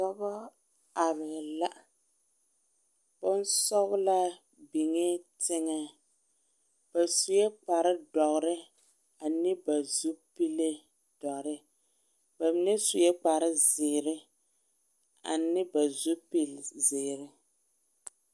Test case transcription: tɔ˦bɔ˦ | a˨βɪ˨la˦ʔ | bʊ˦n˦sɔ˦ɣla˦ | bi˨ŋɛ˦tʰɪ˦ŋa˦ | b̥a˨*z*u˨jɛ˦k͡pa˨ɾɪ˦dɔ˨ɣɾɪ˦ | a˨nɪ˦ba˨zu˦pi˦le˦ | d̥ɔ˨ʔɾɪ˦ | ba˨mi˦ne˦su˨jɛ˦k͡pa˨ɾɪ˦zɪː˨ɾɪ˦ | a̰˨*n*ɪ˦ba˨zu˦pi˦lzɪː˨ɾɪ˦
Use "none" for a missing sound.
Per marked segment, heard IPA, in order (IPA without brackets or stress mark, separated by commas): s, n